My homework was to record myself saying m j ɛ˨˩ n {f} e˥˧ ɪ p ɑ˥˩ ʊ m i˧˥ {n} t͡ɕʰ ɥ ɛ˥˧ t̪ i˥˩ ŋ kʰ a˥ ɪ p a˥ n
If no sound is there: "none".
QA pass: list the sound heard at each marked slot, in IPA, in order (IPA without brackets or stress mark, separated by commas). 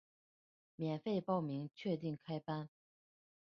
f, ŋ